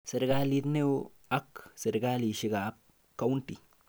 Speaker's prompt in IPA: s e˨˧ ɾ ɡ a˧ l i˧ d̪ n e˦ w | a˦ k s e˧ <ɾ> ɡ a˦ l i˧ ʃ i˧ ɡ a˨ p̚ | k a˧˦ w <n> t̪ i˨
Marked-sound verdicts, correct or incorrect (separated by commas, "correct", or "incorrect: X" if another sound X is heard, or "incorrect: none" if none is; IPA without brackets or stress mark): correct, correct